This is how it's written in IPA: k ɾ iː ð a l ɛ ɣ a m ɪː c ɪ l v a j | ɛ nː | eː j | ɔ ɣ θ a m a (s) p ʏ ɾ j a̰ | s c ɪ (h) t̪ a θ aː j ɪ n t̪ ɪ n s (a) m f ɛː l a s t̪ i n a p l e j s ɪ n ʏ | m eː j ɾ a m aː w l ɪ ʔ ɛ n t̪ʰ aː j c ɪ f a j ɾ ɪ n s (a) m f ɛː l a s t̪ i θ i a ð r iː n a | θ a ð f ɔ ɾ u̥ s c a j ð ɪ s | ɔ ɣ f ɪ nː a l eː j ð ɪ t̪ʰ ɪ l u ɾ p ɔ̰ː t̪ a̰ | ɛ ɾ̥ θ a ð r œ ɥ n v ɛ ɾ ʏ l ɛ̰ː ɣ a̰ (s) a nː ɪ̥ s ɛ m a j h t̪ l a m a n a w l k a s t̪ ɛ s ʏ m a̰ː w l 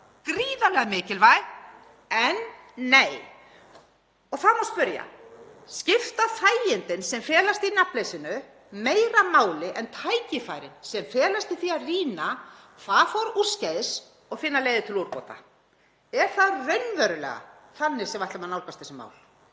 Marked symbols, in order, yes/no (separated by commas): yes, no, no, no, no